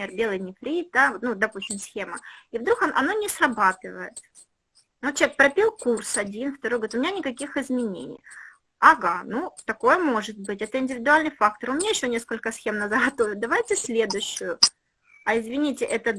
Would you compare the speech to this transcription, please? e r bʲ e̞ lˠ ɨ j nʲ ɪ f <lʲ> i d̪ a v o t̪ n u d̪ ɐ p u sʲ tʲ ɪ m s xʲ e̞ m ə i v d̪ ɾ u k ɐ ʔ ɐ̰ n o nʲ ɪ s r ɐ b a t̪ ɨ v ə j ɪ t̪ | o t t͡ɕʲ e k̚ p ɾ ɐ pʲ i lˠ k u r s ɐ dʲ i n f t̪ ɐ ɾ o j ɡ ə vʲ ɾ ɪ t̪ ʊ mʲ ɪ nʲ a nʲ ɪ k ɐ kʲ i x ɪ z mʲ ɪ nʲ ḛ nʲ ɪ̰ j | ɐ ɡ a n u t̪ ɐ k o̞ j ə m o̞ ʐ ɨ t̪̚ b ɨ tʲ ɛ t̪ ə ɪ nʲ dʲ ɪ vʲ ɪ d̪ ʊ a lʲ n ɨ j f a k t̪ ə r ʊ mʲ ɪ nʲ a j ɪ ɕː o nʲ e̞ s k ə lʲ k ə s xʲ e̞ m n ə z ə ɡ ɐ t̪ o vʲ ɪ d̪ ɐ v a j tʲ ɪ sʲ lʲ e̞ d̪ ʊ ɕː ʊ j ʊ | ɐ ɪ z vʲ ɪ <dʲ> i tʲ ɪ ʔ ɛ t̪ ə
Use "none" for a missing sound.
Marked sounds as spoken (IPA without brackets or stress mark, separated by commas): ɾʲ, nʲ